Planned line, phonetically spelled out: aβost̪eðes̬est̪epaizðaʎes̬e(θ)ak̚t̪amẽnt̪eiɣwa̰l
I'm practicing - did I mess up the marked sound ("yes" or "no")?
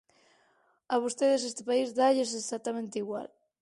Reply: yes